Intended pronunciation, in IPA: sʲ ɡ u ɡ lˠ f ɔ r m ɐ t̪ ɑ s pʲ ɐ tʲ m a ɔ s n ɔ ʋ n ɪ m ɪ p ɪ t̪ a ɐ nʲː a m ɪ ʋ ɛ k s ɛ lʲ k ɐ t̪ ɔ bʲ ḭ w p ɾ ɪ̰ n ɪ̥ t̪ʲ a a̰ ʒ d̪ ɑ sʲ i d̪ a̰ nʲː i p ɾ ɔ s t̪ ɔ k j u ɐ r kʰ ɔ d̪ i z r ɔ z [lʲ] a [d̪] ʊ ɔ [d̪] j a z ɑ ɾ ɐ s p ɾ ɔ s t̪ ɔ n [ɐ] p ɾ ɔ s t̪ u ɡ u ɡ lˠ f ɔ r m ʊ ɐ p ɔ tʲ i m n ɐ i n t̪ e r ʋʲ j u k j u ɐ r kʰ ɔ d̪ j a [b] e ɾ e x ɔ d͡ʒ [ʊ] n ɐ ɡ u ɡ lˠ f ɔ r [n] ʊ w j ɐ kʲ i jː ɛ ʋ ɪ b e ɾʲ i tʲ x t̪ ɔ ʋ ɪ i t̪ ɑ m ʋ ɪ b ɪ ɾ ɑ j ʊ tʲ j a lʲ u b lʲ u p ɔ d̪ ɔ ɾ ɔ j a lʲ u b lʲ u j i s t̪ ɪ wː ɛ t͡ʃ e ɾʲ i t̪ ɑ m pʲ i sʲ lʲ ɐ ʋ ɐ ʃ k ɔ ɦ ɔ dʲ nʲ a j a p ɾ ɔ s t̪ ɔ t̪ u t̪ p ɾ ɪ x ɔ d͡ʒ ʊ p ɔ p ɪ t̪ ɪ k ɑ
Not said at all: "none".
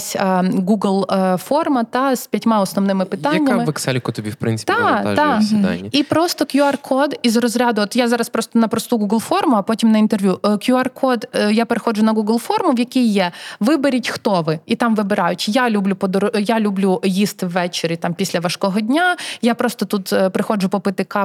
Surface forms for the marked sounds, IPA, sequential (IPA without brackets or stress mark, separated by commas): ɾʲ, d̪, t̪, ɐ, p, ʊ, m